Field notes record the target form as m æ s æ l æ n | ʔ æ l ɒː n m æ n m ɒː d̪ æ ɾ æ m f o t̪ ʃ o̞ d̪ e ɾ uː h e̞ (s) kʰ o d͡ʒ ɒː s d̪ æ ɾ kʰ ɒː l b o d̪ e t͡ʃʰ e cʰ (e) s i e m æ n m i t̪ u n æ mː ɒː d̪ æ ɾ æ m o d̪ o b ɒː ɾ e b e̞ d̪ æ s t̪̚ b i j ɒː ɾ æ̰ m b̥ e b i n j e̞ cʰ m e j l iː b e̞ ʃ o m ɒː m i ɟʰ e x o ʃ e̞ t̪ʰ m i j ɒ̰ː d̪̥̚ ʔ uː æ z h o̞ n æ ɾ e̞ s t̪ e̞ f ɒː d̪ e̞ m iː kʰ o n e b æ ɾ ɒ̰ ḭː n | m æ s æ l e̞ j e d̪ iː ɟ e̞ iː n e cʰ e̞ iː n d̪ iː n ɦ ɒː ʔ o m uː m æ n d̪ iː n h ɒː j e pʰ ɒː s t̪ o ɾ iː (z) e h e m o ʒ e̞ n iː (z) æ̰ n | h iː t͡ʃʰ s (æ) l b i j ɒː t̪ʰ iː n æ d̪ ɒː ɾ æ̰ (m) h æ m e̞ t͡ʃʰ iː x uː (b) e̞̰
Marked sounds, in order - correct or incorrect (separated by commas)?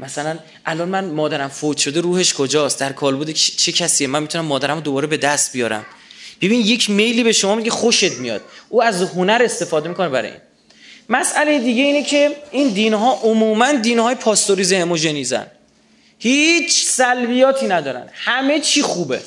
incorrect, incorrect, correct, correct, correct, incorrect, correct